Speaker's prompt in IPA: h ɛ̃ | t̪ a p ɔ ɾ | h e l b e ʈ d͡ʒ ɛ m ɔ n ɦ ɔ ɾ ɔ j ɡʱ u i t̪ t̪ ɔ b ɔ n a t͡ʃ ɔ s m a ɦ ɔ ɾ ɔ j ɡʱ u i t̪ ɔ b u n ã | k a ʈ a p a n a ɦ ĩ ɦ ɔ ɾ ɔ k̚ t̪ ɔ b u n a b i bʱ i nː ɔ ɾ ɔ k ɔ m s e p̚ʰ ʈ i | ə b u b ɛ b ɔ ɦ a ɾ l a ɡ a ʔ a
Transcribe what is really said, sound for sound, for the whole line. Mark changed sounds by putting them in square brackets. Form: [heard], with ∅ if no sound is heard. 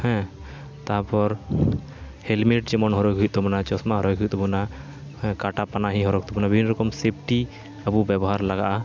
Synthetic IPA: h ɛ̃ | t̪ a p ɔ ɾ | h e l [m] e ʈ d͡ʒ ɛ m ɔ n ɦ ɔ ɾ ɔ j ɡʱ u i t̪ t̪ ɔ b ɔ n a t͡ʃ ɔ s m a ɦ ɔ ɾ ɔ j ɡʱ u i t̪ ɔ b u n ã | k a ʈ a p a n a ɦ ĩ ɦ ɔ ɾ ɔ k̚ t̪ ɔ b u n a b i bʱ i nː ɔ ɾ ɔ k ɔ m s e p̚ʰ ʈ i | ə b u b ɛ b ɔ ɦ a ɾ l a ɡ a ʔ a